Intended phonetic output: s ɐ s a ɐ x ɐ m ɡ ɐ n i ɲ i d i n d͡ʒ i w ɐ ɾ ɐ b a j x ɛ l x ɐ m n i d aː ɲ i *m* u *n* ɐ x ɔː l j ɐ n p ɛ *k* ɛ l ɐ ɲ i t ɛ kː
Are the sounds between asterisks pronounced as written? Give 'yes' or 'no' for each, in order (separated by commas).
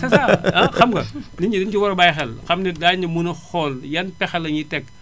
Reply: yes, yes, no